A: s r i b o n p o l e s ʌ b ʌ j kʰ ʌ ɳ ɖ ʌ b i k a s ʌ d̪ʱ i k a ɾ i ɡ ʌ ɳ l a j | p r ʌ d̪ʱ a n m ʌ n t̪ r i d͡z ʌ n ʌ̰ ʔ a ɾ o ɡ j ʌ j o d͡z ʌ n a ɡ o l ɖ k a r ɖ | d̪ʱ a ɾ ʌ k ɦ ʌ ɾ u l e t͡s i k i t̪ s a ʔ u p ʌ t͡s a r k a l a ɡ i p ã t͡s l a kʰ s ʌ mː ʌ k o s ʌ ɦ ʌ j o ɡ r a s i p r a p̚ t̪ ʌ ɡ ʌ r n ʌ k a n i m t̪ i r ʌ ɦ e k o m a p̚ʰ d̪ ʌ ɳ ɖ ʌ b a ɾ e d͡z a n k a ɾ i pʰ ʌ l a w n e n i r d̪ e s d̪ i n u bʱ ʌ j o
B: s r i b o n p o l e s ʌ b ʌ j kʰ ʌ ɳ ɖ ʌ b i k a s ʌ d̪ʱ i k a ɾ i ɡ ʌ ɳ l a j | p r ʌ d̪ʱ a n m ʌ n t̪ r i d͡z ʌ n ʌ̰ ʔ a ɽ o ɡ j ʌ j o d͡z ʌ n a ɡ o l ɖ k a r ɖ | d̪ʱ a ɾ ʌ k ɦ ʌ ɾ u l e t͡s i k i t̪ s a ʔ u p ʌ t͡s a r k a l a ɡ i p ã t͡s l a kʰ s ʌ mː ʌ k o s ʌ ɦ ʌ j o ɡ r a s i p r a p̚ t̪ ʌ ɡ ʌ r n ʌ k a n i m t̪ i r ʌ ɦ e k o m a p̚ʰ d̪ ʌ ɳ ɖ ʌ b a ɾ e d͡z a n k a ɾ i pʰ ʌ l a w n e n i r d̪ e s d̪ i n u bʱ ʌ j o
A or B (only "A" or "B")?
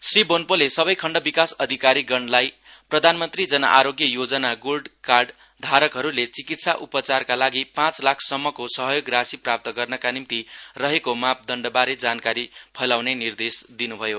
A